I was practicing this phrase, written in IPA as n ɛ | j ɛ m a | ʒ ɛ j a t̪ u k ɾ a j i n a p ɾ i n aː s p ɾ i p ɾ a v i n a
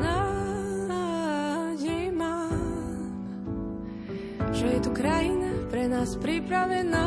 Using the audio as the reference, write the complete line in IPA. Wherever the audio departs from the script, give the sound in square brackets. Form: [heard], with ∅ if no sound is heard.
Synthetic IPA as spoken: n [a] | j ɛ m a | ʒ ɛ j [ɛ] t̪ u k ɾ a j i n a p ɾ [ɛ] n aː s p ɾ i p ɾ a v [ɛ] n a